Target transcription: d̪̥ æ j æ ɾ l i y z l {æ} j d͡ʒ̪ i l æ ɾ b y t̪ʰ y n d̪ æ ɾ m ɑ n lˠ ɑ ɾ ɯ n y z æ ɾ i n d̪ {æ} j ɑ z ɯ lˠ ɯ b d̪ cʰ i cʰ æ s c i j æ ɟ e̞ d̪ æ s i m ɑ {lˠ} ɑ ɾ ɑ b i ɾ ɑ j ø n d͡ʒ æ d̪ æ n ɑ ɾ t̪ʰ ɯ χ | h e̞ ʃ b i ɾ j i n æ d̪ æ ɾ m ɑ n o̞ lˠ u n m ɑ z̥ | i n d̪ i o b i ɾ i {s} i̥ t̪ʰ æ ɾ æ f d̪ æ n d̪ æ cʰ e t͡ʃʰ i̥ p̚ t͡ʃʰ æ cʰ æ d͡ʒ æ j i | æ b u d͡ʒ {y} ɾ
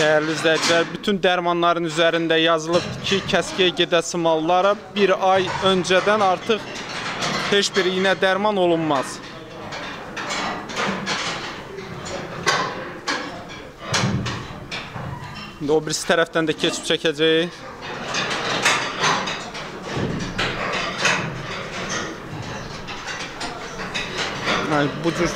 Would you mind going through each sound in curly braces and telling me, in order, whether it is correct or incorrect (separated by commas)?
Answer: correct, correct, incorrect, correct, correct